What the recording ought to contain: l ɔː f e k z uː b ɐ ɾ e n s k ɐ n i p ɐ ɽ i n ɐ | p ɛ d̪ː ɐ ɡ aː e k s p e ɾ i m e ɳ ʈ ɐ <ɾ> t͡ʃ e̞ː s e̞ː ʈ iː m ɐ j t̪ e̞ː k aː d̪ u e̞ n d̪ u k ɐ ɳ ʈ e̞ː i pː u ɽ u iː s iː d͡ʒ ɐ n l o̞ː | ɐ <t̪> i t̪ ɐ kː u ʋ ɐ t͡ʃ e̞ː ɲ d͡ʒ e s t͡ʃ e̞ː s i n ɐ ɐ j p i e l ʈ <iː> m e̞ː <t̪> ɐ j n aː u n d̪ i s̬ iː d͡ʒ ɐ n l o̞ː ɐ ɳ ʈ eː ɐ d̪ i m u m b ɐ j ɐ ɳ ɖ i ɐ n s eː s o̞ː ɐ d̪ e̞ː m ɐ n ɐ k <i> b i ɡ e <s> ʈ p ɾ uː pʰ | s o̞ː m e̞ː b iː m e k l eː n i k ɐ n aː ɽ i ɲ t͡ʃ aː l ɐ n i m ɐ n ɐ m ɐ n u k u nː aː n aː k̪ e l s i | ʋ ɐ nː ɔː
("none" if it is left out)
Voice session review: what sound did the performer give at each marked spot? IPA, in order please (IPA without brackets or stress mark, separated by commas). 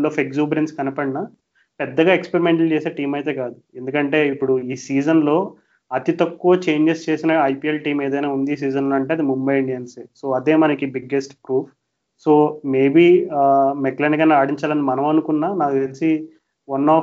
l, t̪, iː, d̪, i, s